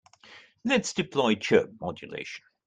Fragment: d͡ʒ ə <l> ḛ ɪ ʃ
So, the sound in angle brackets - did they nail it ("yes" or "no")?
yes